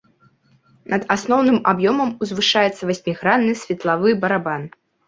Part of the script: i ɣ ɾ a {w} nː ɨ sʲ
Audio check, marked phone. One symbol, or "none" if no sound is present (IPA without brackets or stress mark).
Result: none